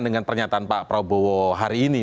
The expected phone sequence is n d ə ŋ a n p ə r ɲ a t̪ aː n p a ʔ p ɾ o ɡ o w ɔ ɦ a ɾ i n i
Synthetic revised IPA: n d ə ŋ a n p ə r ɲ a t̪ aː n p a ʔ p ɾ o b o w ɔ ɦ a ɾ iː n i